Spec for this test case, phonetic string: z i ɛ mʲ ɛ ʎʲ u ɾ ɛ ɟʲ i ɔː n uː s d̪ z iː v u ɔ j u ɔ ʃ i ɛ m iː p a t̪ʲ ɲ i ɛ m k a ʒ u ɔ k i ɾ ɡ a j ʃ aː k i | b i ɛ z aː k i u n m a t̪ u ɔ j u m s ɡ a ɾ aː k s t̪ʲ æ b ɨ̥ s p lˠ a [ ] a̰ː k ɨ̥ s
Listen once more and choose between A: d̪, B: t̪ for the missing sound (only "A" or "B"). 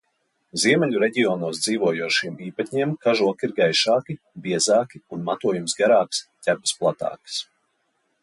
B